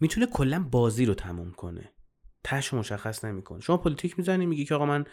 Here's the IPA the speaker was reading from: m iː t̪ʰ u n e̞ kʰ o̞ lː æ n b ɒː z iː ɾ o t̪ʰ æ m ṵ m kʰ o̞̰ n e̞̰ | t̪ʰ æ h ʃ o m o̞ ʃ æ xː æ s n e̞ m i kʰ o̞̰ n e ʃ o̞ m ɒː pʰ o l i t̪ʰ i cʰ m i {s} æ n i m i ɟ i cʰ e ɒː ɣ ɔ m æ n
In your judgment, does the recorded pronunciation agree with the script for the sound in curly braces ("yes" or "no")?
no